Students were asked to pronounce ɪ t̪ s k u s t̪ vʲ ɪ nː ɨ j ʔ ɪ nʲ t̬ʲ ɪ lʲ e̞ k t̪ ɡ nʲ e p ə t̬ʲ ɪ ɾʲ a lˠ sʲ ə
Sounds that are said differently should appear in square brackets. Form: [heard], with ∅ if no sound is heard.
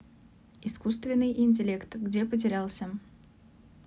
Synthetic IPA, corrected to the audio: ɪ [∅] s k u s t̪ vʲ ɪ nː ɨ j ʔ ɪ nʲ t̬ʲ ɪ lʲ e̞ k t̪ ɡ [dʲ] e p ə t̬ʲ ɪ ɾʲ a lˠ sʲ ə